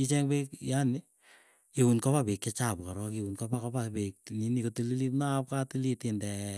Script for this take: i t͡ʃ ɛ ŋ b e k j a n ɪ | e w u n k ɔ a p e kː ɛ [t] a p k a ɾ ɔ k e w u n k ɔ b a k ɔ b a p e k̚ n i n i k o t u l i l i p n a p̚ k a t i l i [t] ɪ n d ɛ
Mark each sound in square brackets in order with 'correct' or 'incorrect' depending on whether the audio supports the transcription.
incorrect, correct

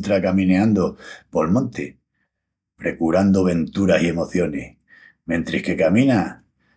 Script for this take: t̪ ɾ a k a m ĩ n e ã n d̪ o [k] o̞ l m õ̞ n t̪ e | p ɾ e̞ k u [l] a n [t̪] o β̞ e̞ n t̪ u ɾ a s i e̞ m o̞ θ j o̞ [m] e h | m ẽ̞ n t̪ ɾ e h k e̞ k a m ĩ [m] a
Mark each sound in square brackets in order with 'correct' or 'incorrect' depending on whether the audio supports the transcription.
incorrect, incorrect, incorrect, incorrect, incorrect

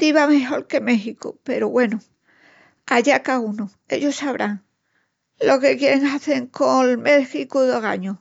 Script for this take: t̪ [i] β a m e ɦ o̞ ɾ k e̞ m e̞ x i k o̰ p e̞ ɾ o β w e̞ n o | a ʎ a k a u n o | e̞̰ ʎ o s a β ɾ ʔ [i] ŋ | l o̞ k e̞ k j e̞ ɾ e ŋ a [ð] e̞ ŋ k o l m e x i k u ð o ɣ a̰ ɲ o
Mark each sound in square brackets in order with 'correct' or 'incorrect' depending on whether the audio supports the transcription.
correct, incorrect, incorrect

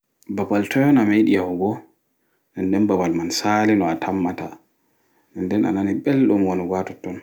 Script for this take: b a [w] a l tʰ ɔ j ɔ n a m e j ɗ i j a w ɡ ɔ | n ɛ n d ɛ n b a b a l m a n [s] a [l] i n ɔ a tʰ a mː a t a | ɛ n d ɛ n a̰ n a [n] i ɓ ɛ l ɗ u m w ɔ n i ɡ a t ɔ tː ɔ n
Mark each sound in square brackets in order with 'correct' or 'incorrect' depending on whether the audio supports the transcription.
incorrect, correct, correct, correct

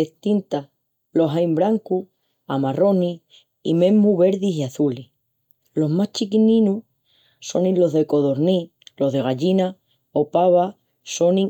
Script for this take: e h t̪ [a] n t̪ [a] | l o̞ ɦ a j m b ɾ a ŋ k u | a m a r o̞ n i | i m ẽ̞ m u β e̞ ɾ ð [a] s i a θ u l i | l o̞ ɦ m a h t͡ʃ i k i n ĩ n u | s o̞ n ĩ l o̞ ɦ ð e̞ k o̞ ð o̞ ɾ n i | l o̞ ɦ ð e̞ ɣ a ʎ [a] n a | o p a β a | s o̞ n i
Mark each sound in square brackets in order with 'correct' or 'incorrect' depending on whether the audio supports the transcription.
incorrect, correct, incorrect, incorrect

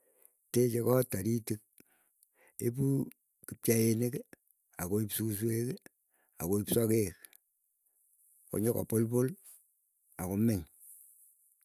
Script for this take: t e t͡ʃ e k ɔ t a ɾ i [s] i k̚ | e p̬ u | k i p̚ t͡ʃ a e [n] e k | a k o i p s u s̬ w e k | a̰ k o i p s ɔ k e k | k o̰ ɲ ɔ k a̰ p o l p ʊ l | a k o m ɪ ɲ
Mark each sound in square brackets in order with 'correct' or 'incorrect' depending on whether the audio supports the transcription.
incorrect, correct

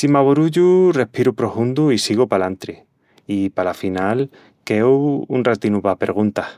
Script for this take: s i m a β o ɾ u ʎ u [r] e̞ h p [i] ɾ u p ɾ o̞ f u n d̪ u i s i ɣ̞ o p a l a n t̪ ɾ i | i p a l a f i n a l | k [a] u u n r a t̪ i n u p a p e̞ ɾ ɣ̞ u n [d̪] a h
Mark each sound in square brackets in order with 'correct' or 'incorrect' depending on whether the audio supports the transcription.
correct, correct, incorrect, incorrect

